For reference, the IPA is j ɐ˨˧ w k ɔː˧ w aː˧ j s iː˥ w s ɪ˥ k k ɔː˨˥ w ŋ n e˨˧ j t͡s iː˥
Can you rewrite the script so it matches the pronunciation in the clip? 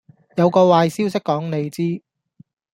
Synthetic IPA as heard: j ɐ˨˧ w k ɔː˧ w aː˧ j s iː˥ w s ɪ˥ k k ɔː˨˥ ŋ n e˨˧ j t͡s iː˥